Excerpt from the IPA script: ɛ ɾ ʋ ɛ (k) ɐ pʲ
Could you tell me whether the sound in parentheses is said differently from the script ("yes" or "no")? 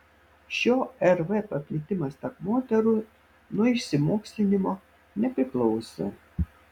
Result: yes